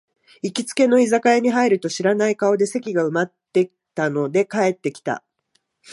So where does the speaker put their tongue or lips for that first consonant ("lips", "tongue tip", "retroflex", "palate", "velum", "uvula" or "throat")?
velum